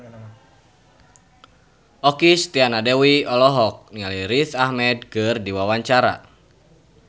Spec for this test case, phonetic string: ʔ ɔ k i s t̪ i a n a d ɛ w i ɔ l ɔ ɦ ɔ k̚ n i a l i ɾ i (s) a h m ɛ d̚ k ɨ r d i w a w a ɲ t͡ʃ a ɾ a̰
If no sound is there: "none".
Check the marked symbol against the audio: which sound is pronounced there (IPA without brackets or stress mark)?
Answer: θ